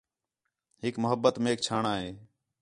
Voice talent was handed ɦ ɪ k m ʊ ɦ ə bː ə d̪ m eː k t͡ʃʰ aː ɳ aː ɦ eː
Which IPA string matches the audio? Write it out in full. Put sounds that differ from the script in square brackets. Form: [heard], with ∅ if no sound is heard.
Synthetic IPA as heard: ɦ ɪ k m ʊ ɦ ə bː ə [t̪] m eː k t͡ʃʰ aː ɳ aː ɦ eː